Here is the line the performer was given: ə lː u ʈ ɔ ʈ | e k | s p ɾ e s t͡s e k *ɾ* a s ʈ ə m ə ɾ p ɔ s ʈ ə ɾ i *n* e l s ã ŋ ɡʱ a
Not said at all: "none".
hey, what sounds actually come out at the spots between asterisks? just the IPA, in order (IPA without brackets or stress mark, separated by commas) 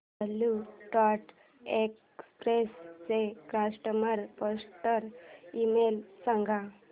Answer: ɾ, m